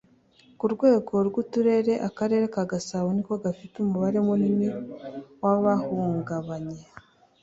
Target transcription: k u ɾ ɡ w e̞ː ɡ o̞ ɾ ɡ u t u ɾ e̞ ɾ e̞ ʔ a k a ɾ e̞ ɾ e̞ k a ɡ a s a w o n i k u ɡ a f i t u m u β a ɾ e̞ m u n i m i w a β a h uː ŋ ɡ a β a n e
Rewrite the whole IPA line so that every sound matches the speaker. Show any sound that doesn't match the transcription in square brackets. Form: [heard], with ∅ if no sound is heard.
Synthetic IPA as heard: k u ɾ ɡ w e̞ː ɡ o̞ ɾ ɡ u t u ɾ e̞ ɾ e̞ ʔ a k a ɾ e̞ ɾ e̞ k a ɡ a s a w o n i k [o] ɡ a f i t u m u β a ɾ e̞ m u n i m i w a β a h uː ŋ ɡ a β a [ɲ] e